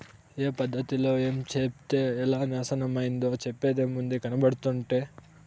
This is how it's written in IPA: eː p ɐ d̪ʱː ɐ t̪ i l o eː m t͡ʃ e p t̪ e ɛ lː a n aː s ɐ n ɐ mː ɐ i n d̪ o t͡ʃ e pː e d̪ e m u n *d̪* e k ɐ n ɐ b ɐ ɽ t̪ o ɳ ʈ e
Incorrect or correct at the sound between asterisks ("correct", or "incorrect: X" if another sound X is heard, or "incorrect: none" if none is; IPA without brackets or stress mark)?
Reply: correct